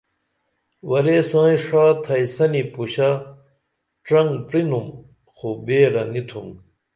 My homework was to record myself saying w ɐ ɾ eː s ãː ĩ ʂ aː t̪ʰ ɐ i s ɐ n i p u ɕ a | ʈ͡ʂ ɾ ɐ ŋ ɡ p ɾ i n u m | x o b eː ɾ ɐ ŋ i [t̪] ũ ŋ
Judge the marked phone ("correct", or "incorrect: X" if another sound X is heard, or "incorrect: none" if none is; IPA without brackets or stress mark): incorrect: t̪ʰ